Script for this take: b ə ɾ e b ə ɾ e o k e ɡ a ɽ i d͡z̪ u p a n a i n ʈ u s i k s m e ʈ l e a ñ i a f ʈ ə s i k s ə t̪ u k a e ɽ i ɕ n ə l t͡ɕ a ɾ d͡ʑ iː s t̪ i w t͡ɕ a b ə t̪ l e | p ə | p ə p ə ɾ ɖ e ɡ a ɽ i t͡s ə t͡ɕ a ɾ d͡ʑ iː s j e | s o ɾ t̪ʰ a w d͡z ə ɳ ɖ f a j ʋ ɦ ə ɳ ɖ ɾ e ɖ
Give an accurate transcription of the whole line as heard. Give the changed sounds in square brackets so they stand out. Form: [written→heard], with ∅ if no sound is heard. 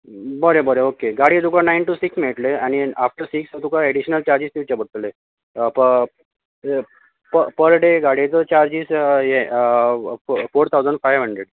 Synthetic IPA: b ə ɾ e b ə ɾ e o k e ɡ a ɽ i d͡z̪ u [p→k] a n a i n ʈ u s i k s m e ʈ l e a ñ i a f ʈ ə s i k s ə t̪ u k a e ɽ i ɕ n ə l t͡ɕ a ɾ d͡ʑ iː s t̪ i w t͡ɕ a b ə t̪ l e | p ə | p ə p ə ɾ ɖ e ɡ a ɽ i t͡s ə t͡ɕ a ɾ d͡ʑ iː s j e | [s→f] o ɾ t̪ʰ a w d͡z ə ɳ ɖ f a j ʋ ɦ ə ɳ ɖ ɾ e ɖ